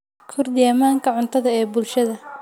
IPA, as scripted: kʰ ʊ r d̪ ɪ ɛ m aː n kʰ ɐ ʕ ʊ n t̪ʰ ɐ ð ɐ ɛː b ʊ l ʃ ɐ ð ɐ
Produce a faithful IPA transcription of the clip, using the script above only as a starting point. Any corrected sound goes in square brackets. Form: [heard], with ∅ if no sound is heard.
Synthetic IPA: kʰ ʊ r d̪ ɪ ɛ m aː [ŋ] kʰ ɐ ʕ ʊ n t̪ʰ ɐ ð ɐ ɛː b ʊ l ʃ ɐ ð ɐ

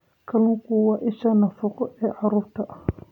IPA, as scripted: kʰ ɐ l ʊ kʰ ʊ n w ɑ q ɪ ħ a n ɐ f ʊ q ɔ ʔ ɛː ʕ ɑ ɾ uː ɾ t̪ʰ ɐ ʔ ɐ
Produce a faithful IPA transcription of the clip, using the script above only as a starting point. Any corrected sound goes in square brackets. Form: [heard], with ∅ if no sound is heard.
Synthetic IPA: kʰ ɐ l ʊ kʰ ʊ [∅] w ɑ [ʔ] ɪ [ʃ] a n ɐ f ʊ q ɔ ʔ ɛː ʕ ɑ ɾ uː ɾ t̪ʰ ɐ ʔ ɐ

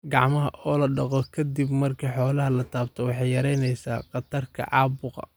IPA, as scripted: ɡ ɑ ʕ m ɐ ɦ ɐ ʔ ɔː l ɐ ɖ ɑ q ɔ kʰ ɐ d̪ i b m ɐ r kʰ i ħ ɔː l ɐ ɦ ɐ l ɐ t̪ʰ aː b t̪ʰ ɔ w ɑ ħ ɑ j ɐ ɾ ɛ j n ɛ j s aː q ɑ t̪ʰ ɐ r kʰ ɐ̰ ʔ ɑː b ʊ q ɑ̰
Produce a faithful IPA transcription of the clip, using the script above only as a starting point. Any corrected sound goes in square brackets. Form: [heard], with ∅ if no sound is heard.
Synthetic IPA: ɡ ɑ ʕ m ɐ ɦ ɐ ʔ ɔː l ɐ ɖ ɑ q ɔ kʰ ɐ d̪ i b m ɐ r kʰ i ħ ɔː l ɐ ɦ ɐ l ɐ t̪ʰ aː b t̪ʰ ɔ w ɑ ħ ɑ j ɐ ɾ ɛ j n ɛ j s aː q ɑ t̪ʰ ɐ r kʰ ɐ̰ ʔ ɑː b ʊ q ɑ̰

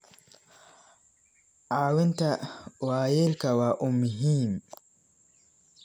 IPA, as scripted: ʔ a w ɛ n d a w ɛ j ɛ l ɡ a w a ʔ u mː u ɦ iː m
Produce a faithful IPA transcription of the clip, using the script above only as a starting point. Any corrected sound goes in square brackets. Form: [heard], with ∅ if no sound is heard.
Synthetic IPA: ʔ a w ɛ n [t] a w [a] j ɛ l [k] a w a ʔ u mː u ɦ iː m

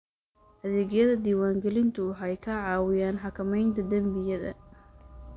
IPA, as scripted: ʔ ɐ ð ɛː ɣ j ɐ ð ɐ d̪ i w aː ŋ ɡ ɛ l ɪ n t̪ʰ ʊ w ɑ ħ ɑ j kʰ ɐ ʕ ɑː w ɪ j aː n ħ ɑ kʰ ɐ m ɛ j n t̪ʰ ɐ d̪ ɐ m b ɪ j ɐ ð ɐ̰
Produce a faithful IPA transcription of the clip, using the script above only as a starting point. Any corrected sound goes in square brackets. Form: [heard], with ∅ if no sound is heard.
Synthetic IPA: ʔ ɐ ð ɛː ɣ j ɐ ð ɐ d̪ [iː] w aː ŋ ɡ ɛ l ɪ n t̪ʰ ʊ w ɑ ħ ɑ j kʰ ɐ ʕ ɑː w ɪ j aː n ħ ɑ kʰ ɐ m ɛ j n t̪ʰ ɐ d̪ ɐ m b ɪ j ɐ ð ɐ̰

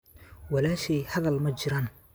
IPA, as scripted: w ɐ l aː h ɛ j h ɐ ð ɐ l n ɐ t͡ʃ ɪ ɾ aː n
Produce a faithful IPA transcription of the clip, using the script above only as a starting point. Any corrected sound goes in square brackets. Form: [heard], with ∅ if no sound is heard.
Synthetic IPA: w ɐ l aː [ʃ] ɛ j h ɐ ð ɐ l [m] ɐ t͡ʃ ɪ ɾ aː n

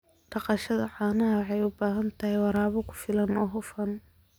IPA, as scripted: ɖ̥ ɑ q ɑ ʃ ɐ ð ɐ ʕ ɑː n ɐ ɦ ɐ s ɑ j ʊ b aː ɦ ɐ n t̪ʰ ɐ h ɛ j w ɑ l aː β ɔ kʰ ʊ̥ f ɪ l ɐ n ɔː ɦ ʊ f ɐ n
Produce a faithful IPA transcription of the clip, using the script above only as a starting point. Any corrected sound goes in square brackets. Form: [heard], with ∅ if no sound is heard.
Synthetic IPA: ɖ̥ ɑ q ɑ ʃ ɐ ð ɐ ʕ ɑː n ɐ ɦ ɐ [ħ] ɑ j ʊ b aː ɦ ɐ n t̪ʰ ɐ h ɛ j w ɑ [ɾ] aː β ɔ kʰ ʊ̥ f ɪ l ɐ n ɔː ɦ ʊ f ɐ n

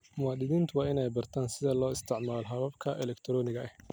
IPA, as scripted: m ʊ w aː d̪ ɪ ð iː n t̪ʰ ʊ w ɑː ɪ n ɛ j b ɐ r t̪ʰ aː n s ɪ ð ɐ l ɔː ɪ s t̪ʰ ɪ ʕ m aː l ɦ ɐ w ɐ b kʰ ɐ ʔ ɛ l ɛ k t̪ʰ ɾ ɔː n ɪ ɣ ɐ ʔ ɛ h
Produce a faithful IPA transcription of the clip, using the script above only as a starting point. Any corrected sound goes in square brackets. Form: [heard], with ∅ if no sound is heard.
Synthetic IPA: m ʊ w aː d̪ ɪ ð iː n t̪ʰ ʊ w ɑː ɪ n ɛ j b ɐ r t̪ʰ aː n s ɪ ð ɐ l ɔː ɪ s t̪ʰ ɪ ʕ m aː l ɦ ɐ [β] ɐ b kʰ ɐ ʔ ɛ l ɛ k t̪ʰ ɾ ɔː n ɪ ɣ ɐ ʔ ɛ h

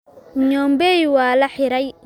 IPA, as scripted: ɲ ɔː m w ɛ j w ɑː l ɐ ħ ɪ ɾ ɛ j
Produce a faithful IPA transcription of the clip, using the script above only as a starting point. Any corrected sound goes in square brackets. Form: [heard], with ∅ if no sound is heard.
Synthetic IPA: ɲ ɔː m [b] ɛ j w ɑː l ɐ ħ ɪ ɾ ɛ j

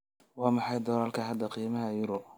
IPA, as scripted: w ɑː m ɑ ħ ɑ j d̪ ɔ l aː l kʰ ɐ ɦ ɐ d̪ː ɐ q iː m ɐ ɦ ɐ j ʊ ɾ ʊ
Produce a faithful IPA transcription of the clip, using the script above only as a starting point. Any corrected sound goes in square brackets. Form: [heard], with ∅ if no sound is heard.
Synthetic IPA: w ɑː m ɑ ħ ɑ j d̪ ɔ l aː l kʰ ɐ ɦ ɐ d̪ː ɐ q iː m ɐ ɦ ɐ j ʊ ɾ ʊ

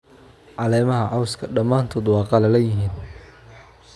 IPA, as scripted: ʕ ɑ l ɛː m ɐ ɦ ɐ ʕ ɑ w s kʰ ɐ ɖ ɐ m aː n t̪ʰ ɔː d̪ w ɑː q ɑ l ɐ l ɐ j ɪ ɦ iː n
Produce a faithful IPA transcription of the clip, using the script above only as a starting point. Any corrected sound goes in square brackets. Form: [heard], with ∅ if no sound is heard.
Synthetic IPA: ʕ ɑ l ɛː m ɐ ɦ ɐ ʕ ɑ w s kʰ ɐ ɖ ɐ m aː n t̪ʰ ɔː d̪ w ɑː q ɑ l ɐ l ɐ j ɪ ɦ iː n

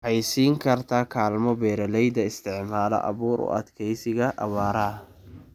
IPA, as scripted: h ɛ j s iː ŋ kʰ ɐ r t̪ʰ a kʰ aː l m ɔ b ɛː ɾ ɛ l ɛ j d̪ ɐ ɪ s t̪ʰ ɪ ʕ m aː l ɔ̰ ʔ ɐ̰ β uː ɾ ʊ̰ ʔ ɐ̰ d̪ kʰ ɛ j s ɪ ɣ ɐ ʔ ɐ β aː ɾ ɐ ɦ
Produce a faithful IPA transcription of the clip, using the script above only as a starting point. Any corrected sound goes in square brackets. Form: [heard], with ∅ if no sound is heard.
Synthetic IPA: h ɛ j s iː ŋ kʰ ɐ r t̪ʰ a kʰ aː l m ɔ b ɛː ɾ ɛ l ɛ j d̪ ɐ ɪ s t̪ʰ ɪ ʕ m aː l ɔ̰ ʔ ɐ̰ β uː ɾ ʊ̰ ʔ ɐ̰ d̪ kʰ ɛ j s ɪ ɣ ɐ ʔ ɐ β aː ɾ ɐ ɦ

